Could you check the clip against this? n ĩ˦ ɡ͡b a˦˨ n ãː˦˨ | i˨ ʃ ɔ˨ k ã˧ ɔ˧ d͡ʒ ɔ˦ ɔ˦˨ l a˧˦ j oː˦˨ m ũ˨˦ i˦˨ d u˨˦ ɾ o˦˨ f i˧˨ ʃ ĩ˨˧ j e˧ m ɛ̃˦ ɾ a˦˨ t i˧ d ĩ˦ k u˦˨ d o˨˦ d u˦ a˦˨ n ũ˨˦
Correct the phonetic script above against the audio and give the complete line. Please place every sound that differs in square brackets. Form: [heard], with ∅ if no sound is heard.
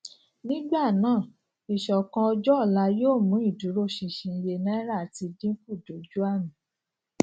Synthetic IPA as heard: n ĩ˦ ɡ͡b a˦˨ n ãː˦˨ | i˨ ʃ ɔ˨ k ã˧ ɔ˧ d͡ʒ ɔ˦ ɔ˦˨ l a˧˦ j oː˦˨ m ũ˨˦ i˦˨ d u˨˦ ɾ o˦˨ [ʃ] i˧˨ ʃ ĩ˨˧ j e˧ [n] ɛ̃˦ ɾ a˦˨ t i˧ d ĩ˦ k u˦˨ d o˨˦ [d͡ʒ] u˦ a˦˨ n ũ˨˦